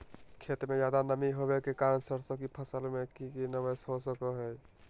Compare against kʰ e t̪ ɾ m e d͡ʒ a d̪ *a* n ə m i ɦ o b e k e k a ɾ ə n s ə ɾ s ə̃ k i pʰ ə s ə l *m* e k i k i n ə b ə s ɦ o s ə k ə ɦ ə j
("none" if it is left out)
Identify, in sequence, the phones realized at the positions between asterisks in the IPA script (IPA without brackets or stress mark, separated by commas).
a, m